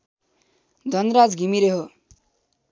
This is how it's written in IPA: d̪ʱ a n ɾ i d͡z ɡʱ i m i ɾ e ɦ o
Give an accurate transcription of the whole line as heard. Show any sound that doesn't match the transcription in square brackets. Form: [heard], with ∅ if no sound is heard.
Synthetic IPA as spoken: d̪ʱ [ʌ] n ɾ [a] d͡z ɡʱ i m i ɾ e ɦ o